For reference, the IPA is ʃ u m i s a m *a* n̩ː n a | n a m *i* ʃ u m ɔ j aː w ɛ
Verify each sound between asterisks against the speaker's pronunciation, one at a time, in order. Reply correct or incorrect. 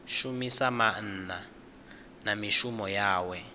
correct, correct

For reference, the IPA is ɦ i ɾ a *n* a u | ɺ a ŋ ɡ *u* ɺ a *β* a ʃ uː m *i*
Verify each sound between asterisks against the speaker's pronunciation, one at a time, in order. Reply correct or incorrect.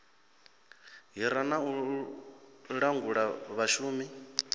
correct, correct, correct, correct

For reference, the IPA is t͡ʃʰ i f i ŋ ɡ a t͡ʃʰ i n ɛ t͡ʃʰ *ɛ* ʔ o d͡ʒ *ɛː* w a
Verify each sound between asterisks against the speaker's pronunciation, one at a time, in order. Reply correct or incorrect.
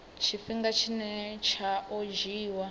incorrect: a, incorrect: iː

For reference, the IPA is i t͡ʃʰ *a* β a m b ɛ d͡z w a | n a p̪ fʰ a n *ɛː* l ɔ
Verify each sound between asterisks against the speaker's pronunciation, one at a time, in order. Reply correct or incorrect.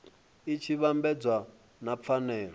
incorrect: i, correct

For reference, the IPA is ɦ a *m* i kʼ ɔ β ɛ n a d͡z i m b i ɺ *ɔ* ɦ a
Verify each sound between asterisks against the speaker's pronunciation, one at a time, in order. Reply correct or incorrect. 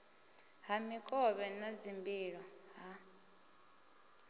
correct, correct

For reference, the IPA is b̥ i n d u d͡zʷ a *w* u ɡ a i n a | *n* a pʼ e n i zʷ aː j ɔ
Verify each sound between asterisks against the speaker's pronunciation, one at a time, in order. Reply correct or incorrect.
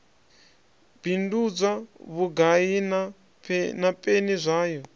incorrect: β, correct

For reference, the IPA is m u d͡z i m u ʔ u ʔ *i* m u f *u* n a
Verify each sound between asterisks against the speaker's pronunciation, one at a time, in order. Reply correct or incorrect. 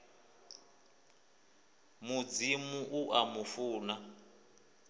incorrect: a, incorrect: uː

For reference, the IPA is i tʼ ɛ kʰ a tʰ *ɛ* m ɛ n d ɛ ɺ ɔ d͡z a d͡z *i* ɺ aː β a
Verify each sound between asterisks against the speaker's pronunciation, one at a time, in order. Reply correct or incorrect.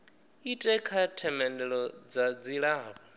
correct, correct

